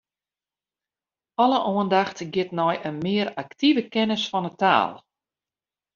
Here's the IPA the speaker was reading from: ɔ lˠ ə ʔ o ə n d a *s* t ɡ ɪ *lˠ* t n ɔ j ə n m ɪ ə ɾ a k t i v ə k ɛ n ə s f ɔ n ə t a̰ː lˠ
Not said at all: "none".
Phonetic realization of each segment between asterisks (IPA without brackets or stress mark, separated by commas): x, none